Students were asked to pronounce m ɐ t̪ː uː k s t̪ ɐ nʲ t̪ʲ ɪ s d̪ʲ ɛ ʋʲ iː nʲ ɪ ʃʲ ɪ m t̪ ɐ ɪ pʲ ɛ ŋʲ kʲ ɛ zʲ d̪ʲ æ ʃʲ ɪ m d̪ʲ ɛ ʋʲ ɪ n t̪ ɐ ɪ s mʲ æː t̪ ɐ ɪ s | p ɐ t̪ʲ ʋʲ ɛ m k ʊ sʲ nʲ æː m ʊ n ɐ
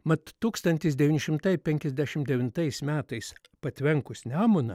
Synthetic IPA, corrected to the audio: m ɐ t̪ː uː k s t̪ ɐ nʲ t̪ʲ ɪ s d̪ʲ ɛ ʋʲ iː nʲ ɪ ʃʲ ɪ m t̪ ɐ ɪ pʲ ɛ ŋʲ kʲ ɛ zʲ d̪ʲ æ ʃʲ ɪ m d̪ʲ ɛ ʋʲ ɪ n t̪ ɐ ɪ s mʲ æː t̪ ɐ ɪ s | p ɐ t̪ʲ ʋʲ ɛ ŋ k ʊ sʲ nʲ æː m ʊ n ɐ